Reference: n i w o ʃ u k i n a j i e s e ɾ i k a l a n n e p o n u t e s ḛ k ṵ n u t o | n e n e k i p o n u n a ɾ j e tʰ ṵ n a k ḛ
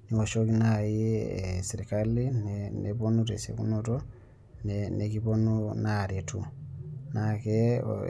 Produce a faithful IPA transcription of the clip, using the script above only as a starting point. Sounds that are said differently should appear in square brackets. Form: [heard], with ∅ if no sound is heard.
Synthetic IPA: n i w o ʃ [o] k i n a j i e s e ɾ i k a l [i] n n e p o n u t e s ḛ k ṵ n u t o | n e n e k i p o n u n a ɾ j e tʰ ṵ n a k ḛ